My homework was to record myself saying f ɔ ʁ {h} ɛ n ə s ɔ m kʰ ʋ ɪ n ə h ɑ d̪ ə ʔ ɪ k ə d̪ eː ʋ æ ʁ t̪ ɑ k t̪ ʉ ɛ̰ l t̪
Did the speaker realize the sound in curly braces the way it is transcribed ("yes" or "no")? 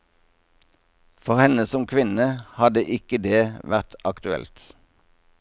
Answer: yes